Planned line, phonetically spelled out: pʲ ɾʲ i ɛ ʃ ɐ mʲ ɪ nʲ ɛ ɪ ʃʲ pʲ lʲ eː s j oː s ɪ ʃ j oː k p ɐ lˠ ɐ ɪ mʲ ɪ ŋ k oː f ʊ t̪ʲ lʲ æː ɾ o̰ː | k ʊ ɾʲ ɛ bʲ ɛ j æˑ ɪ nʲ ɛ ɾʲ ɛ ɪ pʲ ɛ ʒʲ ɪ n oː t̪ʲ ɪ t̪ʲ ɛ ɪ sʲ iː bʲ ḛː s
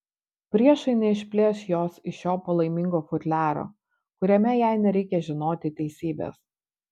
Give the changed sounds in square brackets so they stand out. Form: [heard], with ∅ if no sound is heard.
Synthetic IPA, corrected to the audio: pʲ ɾʲ i ɛ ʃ ɐ [∅] ɪ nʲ ɛ ɪ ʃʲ pʲ lʲ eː s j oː s ɪ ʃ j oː [∅] p ɐ lˠ ɐ ɪ mʲ ɪ ŋ [ɡ] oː f ʊ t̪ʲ lʲ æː ɾ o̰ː | k ʊ ɾʲ ɛ [mʲ] ɛ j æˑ ɪ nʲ ɛ ɾʲ ɛ ɪ [kʲ] ɛ ʒʲ ɪ n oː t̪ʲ ɪ t̪ʲ ɛ ɪ sʲ iː bʲ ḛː s